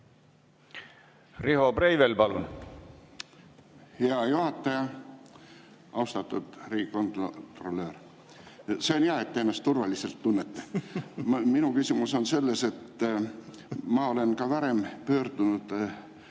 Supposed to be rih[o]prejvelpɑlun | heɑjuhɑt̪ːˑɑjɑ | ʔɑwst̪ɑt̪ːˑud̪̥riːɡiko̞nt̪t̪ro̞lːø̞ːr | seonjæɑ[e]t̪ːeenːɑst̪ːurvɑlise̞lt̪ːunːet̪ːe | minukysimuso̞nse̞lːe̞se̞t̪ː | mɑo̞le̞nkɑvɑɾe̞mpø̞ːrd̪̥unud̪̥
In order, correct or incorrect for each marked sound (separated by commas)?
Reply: correct, correct